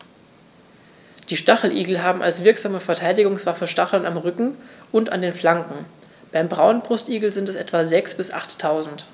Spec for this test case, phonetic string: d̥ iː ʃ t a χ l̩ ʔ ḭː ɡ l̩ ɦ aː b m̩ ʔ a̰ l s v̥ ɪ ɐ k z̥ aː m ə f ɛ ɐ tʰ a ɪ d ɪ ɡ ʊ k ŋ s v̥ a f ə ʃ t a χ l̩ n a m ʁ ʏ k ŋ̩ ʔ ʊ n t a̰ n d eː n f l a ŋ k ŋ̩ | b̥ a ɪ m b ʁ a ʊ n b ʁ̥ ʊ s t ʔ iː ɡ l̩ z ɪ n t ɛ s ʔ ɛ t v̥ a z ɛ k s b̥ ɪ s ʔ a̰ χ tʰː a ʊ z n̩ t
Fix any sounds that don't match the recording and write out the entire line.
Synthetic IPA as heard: d̥ iː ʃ t a χ l̩ ʔ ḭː ɡ l̩ ɦ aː b m̩ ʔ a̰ l s v̥ ɪ ɐ k z̥ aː m ə f ɛ ɐ tʰ a ɪ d ɪ ɡ ʊ ŋ s v̥ a f ə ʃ t a χ l̩ n a m ʁ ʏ k ŋ̩ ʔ ʊ n t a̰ n d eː n f l a ŋ k ŋ̩ | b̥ a ɪ m b ʁ a ʊ n b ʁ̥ ʊ s t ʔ iː ɡ l̩ z ɪ n t ɛ s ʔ ɛ t v̥ a z ɛ k s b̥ ɪ s ʔ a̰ χ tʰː a ʊ z n̩ t